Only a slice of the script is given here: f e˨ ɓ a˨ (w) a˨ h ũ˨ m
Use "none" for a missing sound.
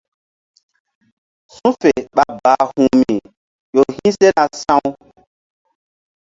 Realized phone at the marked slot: b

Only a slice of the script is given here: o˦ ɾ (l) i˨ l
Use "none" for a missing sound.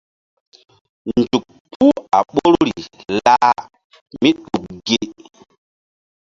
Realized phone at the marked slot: ɾ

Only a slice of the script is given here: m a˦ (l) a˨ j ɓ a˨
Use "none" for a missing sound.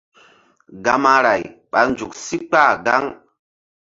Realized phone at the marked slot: ɾ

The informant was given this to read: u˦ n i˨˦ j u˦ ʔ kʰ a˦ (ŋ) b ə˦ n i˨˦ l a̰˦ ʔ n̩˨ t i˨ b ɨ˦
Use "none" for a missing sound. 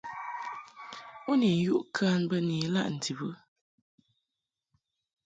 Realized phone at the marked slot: n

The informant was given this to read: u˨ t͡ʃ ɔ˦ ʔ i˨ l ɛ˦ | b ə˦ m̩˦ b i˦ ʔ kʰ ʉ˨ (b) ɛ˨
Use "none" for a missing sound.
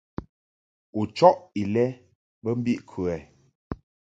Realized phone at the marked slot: none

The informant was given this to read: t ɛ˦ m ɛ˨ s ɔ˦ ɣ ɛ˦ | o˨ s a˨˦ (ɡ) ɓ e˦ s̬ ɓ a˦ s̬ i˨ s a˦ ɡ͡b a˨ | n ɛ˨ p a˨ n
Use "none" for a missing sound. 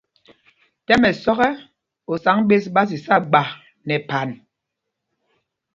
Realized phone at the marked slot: ŋ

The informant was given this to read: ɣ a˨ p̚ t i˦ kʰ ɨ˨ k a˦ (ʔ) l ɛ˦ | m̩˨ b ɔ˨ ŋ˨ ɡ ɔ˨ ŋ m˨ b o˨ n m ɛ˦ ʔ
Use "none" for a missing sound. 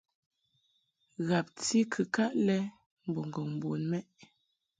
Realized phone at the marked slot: ʔ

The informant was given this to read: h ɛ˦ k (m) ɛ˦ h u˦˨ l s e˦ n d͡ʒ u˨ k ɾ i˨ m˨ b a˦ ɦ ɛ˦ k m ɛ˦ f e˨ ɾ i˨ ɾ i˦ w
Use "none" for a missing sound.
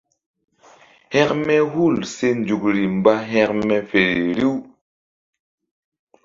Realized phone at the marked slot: m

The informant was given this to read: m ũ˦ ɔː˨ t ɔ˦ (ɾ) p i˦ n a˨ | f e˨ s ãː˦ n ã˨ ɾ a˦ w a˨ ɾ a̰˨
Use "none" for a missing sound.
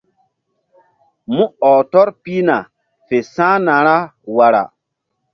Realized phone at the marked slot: ɾ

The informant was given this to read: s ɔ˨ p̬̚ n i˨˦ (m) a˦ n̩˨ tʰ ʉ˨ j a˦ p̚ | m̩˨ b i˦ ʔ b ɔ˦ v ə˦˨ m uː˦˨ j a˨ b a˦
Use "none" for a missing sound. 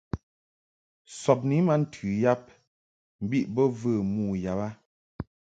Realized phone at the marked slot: m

